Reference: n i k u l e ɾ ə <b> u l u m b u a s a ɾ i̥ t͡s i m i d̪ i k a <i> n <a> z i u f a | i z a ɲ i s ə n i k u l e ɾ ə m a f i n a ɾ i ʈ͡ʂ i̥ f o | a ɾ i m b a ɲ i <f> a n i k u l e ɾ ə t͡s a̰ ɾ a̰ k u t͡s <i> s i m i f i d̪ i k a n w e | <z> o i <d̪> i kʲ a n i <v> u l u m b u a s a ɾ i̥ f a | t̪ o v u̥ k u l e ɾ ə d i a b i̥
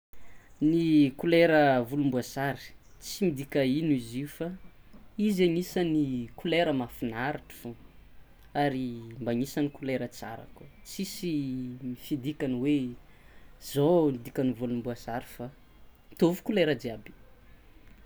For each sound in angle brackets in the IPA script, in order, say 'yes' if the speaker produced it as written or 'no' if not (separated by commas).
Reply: no, yes, no, no, yes, yes, yes, yes